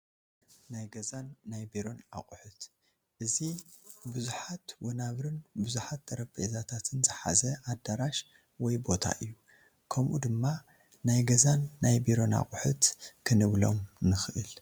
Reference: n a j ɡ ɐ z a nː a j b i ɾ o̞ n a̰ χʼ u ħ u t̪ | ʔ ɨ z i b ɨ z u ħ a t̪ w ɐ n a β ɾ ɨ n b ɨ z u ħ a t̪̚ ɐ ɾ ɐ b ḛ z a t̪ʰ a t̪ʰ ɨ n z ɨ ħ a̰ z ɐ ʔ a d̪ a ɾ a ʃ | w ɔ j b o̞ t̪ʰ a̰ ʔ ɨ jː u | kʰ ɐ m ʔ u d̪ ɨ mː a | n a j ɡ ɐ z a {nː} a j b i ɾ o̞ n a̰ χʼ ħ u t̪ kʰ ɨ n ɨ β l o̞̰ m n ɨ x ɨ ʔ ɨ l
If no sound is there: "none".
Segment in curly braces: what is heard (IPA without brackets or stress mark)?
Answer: nː